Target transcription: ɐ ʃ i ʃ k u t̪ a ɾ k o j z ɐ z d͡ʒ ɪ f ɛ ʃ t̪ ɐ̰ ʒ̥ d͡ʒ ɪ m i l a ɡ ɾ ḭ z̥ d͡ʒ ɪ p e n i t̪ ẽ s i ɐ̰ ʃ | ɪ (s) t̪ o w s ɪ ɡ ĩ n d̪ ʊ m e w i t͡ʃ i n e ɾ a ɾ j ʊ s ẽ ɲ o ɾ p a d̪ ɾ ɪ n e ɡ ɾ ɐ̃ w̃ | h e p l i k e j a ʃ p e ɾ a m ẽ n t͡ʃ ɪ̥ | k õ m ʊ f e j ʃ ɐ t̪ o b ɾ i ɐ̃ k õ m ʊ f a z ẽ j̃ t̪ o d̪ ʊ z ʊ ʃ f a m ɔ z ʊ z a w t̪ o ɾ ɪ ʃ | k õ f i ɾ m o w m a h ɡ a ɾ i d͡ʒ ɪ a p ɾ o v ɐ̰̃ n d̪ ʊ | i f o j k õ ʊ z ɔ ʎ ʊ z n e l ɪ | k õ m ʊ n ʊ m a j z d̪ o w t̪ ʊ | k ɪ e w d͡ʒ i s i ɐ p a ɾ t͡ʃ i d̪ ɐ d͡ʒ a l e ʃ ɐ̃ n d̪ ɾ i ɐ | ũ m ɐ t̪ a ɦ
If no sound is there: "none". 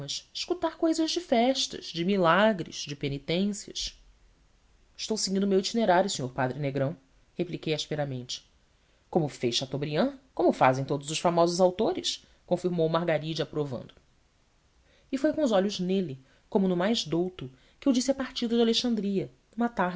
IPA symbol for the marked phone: ʃ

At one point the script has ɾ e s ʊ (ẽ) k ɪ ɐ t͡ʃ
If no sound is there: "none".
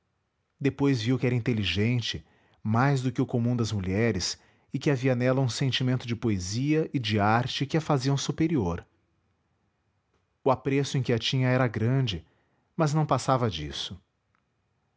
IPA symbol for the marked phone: ẽ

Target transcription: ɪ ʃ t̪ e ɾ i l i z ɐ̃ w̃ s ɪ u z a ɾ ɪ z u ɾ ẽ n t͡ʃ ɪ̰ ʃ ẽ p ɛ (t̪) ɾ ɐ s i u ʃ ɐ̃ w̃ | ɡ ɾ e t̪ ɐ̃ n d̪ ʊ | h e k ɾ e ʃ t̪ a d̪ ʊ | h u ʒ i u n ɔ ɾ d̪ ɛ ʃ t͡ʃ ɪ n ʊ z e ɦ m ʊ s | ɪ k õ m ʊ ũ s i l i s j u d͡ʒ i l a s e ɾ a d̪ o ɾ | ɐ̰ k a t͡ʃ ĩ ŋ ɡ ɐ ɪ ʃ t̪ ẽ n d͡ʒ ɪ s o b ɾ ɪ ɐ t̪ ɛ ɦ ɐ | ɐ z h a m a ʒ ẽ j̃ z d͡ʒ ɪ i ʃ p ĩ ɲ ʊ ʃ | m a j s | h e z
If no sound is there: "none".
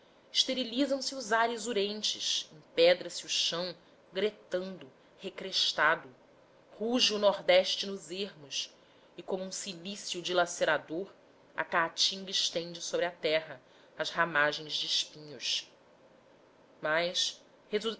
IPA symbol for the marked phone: d̪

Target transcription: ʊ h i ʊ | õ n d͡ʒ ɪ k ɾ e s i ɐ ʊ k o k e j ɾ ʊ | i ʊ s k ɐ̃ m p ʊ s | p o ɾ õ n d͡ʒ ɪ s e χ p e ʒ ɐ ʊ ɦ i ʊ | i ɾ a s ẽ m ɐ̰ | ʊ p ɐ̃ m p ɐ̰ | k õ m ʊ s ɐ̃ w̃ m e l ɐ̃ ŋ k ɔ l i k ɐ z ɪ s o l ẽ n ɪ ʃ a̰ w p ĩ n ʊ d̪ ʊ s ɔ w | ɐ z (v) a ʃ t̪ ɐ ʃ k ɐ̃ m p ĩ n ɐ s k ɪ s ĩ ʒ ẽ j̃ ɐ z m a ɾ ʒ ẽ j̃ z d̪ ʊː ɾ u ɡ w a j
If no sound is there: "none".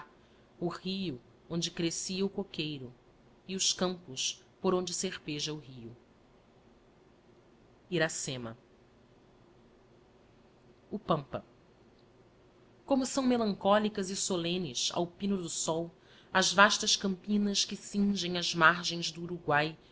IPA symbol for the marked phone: v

